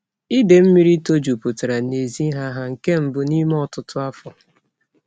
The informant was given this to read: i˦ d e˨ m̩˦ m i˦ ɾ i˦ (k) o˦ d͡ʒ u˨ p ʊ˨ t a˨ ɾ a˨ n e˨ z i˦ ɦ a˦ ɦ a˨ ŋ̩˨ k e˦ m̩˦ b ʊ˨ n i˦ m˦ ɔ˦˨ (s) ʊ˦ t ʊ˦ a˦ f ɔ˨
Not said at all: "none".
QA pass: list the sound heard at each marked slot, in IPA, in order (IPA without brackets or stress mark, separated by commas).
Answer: t, t